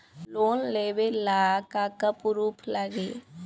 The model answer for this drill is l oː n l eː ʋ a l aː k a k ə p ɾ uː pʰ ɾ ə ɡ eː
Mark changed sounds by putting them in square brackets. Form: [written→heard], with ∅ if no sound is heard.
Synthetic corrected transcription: l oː n l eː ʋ [a→e] l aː k a k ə p ɾ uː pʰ [ɾ→l] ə ɡ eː